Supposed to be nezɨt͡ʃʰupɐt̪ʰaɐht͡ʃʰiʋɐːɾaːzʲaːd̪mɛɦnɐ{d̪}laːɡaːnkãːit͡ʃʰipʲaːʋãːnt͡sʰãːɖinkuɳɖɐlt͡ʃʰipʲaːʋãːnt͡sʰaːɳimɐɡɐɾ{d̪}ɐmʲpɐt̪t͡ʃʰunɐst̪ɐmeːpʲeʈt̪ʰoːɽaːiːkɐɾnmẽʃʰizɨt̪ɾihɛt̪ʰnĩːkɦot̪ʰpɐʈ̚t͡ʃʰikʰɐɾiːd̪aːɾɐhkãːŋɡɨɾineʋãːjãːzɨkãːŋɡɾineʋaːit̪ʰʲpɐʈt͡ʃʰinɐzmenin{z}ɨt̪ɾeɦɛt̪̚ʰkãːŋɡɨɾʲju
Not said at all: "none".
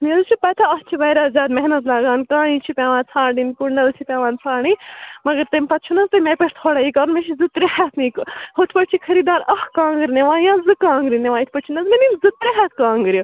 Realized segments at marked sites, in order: t̪, t̪, z

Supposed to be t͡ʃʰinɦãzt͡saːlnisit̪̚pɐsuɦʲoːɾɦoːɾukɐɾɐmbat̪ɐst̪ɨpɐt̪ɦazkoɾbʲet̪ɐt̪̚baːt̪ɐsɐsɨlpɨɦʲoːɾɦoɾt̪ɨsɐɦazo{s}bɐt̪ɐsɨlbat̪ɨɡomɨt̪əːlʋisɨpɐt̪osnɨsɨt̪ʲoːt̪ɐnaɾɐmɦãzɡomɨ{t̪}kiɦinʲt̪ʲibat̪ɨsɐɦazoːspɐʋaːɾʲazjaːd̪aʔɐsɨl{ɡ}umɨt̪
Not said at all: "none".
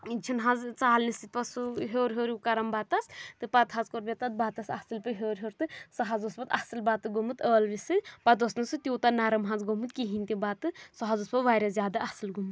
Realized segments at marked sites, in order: s, t̪, ɡ

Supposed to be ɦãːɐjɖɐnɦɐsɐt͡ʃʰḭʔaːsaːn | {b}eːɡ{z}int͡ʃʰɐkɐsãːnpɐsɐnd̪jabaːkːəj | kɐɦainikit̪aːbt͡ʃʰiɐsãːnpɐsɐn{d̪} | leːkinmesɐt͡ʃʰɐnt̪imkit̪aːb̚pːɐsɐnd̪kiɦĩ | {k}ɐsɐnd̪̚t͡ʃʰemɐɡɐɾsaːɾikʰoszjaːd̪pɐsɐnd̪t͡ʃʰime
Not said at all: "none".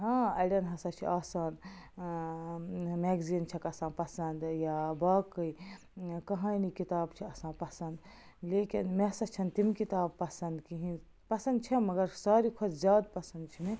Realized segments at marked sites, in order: m, z, d̪, p

